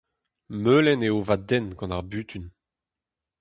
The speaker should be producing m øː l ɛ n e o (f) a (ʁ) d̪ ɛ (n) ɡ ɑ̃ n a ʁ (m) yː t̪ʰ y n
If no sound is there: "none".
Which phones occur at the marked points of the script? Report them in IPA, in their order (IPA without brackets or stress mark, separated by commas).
v, none, n, b